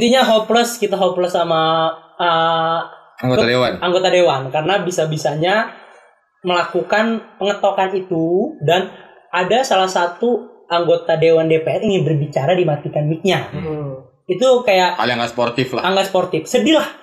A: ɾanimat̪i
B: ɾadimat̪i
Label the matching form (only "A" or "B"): B